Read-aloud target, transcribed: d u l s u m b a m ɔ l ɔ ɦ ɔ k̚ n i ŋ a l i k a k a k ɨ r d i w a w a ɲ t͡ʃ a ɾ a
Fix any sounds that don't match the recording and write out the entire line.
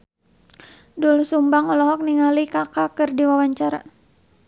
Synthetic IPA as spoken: d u l s u m b a ŋ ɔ l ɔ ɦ ɔ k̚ n i ŋ a l i k a k a k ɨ r d i w a w a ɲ t͡ʃ a ɾ a